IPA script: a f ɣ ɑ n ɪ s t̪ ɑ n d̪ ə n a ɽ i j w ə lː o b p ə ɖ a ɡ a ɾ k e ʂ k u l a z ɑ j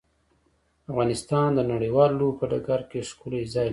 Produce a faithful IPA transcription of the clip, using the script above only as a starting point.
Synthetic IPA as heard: a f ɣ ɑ n ɪ s t̪ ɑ n d̪ ə n a ɽ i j w ɑ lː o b p ə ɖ a ɡ a ɾ k e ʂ k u l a z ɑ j